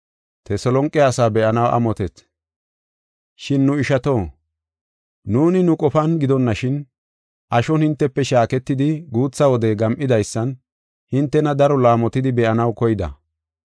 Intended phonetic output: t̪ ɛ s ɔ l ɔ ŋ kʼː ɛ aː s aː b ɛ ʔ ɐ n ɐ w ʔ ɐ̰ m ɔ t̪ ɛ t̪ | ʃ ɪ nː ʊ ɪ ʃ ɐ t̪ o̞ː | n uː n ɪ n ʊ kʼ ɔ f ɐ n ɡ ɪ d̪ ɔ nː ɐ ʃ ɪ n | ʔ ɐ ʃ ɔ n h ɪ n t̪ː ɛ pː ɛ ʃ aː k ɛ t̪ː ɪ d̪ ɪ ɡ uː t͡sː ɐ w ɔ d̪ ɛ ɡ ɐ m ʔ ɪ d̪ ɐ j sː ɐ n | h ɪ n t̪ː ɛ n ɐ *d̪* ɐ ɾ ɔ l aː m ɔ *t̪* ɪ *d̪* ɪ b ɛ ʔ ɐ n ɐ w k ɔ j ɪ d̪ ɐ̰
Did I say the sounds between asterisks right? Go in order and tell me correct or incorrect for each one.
correct, correct, correct

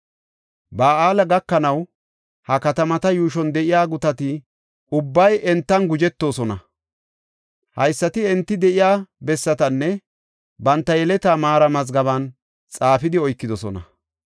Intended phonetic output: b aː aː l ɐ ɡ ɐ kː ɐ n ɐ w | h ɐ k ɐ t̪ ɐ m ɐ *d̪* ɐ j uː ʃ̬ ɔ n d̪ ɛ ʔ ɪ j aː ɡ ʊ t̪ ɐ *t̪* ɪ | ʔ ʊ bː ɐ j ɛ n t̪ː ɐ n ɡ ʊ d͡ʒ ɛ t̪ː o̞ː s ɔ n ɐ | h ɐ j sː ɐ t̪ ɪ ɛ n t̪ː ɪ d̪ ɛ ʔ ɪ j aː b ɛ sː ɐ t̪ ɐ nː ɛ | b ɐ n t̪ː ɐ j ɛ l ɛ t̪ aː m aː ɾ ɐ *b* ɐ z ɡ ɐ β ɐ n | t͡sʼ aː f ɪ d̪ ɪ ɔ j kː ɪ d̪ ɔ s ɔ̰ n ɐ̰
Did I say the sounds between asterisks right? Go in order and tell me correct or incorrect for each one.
incorrect, correct, incorrect

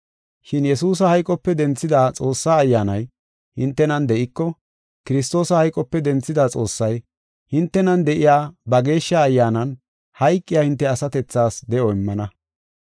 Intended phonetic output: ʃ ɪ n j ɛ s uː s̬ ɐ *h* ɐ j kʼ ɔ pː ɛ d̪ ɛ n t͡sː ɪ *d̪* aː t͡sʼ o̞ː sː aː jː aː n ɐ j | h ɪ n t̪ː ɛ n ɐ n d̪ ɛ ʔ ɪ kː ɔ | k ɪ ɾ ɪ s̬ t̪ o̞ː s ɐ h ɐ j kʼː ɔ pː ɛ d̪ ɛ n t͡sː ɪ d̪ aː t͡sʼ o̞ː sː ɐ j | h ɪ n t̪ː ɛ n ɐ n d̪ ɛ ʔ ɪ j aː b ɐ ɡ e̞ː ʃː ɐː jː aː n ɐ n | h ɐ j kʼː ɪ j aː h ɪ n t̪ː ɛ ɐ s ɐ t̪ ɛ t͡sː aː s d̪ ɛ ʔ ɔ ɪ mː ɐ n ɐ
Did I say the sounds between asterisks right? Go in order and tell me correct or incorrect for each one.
correct, correct

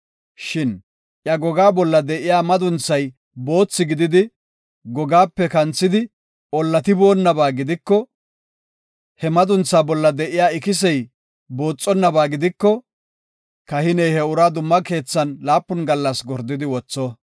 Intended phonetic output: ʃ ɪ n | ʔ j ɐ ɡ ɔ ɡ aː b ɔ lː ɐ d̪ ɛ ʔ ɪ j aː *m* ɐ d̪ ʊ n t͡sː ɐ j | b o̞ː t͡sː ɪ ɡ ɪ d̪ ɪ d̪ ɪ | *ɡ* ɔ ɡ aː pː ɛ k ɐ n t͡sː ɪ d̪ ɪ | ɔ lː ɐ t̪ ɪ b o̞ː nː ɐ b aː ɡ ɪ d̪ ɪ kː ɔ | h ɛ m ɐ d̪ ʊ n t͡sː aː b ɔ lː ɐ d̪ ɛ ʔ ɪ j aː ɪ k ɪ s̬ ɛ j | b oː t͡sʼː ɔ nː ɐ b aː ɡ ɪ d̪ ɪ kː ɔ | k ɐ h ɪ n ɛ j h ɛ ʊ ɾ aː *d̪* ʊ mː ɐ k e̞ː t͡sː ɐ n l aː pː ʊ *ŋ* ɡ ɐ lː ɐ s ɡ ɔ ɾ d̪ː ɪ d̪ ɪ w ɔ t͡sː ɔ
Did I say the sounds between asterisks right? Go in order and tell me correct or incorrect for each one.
correct, correct, correct, incorrect

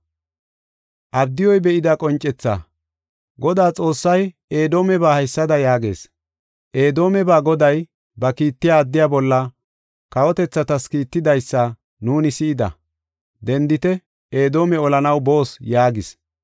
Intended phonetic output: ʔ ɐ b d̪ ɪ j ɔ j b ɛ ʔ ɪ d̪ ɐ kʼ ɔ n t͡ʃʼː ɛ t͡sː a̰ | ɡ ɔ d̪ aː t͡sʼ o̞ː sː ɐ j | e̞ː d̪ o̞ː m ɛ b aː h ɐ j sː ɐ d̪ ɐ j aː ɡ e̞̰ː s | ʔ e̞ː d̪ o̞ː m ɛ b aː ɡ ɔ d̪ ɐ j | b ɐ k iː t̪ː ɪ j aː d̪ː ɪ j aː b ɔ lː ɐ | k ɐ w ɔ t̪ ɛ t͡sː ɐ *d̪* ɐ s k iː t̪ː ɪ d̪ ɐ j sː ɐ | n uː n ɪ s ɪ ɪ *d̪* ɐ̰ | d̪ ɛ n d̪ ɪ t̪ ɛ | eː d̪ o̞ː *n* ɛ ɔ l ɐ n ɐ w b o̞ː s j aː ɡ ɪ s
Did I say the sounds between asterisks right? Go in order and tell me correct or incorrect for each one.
incorrect, correct, incorrect

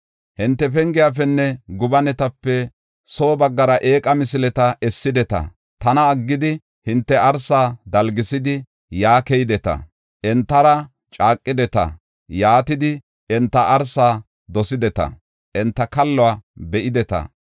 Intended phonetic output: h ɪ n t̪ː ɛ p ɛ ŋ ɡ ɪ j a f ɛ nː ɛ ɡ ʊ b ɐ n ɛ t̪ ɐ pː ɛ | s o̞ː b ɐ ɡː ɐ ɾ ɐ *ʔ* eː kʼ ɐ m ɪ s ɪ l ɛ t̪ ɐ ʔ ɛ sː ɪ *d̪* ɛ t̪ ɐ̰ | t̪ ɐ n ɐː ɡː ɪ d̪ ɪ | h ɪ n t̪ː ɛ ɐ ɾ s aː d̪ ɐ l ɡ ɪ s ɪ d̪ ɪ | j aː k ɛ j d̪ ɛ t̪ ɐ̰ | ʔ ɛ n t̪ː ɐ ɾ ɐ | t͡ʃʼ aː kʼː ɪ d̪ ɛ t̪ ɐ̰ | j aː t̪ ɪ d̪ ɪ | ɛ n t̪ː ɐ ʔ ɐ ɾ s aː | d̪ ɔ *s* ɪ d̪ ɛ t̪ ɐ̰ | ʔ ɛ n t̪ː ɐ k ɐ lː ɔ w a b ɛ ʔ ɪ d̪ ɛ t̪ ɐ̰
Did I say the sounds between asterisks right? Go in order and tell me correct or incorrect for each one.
correct, correct, correct

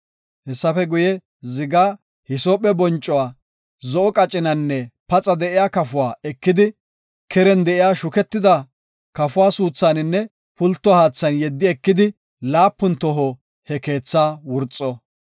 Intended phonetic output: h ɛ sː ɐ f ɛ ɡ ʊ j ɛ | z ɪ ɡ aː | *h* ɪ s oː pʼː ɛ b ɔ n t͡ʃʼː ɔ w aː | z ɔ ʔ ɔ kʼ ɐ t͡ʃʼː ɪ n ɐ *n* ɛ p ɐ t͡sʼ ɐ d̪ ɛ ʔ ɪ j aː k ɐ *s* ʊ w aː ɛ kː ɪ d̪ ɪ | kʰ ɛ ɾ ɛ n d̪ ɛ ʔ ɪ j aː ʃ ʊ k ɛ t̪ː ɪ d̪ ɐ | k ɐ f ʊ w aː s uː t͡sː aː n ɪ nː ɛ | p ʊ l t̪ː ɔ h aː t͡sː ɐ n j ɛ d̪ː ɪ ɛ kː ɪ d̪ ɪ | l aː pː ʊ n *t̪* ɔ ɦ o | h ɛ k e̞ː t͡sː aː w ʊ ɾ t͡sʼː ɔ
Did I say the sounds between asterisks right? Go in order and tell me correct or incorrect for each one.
correct, incorrect, incorrect, correct

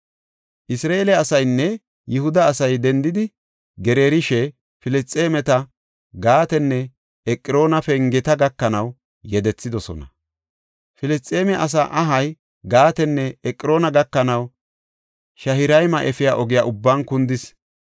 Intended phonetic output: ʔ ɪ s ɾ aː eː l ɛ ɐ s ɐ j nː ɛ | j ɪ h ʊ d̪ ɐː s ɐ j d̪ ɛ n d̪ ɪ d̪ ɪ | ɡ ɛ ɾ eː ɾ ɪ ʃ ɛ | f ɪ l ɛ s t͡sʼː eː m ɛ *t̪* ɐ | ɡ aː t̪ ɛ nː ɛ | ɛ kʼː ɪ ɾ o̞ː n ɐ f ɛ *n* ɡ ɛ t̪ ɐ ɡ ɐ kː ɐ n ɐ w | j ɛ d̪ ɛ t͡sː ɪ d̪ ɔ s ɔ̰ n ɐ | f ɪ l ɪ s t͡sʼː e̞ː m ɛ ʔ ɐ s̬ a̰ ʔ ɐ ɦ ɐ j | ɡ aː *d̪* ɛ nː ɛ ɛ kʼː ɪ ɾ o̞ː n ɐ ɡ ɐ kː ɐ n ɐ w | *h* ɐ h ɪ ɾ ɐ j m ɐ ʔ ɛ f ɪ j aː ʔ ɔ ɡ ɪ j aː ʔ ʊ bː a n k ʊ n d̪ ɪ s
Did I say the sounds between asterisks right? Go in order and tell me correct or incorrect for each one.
correct, incorrect, incorrect, incorrect

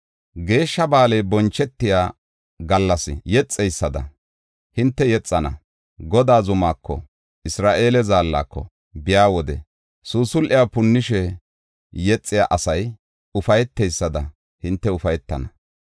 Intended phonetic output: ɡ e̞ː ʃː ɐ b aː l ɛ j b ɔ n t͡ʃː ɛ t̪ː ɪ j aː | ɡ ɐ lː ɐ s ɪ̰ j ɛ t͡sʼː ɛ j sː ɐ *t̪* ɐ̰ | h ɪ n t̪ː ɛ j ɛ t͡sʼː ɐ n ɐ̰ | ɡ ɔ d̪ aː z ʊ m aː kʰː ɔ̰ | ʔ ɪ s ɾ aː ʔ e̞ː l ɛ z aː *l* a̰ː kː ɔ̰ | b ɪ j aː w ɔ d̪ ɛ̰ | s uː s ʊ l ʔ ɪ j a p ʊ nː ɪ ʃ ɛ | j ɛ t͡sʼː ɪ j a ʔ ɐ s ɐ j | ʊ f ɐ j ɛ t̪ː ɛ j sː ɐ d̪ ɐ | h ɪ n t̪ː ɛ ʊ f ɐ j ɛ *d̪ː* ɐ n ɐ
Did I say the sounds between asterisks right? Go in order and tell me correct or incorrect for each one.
incorrect, incorrect, incorrect

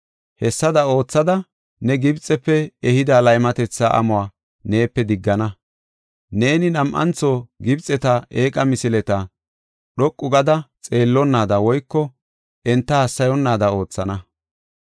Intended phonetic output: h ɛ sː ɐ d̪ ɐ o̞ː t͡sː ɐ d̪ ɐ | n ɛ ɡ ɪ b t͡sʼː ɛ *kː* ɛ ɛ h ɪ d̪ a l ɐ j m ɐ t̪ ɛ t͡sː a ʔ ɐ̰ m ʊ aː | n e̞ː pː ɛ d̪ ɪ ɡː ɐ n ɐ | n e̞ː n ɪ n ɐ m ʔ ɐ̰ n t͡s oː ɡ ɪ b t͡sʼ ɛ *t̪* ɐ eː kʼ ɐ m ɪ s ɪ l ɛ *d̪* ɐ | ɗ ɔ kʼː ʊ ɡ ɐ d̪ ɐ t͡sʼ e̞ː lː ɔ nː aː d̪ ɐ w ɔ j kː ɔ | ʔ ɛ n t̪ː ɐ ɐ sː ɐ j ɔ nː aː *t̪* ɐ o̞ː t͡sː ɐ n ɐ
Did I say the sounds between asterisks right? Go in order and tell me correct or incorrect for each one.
incorrect, correct, incorrect, incorrect

